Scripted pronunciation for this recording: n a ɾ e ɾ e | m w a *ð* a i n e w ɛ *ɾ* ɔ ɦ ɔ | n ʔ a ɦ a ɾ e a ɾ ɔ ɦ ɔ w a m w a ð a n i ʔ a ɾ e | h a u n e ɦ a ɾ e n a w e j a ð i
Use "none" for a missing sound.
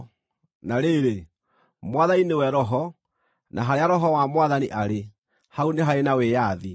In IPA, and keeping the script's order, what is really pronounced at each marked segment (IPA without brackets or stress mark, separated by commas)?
ð, ɾ